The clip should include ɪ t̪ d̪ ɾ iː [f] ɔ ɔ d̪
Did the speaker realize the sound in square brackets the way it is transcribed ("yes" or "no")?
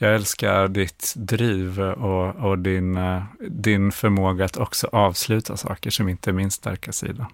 no